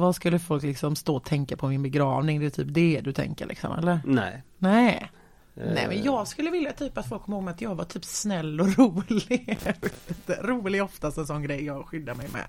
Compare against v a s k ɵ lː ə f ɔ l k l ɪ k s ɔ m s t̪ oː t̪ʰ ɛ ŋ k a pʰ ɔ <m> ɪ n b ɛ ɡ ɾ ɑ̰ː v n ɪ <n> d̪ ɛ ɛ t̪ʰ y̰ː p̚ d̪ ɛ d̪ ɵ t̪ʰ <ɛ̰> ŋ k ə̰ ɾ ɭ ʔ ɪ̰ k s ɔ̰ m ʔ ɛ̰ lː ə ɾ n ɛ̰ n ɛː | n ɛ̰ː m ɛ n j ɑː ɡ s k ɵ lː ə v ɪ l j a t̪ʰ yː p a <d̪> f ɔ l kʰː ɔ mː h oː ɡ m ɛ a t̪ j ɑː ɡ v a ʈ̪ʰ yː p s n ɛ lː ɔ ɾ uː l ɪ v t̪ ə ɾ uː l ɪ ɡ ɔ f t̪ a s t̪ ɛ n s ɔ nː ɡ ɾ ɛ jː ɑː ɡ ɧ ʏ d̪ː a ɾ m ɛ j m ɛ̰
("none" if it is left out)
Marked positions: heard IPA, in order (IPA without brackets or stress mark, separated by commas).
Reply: m, ŋ, ɛ̰, t̪